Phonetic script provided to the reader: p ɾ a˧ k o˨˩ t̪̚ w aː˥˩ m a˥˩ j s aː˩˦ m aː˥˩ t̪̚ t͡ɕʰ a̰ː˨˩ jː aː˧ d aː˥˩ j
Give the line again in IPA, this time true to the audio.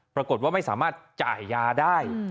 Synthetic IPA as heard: p ɾ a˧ k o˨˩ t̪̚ w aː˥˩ m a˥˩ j s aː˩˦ m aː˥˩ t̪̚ t͡ɕ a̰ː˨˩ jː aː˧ d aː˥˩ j